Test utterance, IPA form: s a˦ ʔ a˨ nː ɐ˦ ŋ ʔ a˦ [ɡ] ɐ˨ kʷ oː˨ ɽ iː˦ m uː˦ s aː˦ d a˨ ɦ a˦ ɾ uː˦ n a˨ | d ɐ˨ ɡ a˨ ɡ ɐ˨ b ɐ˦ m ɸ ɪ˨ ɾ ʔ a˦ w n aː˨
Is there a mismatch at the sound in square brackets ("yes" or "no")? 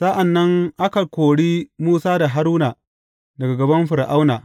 yes